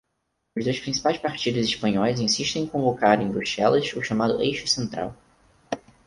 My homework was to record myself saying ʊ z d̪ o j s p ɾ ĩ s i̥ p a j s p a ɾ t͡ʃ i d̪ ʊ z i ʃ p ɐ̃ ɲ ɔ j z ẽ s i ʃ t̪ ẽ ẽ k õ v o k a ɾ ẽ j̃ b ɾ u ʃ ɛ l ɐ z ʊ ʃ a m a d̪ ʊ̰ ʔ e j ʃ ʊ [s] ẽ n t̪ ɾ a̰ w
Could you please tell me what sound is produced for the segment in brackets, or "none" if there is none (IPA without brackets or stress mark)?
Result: s